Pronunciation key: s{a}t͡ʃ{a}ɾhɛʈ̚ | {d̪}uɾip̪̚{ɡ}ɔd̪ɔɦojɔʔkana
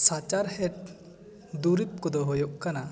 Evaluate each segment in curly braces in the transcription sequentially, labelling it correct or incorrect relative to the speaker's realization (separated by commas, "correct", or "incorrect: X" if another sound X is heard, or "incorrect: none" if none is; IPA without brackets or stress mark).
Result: correct, correct, correct, incorrect: k